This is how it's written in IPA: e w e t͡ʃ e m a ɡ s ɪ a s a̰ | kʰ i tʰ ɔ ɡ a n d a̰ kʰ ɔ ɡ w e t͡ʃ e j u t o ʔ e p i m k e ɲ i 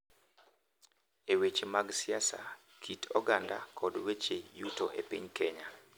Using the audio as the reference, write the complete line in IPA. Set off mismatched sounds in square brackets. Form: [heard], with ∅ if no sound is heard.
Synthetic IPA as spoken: e w e t͡ʃ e m a ɡ s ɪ a s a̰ | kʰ i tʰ ɔ ɡ a n d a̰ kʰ ɔ [d] w e t͡ʃ e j u t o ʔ e p i [ɲ] k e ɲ [a]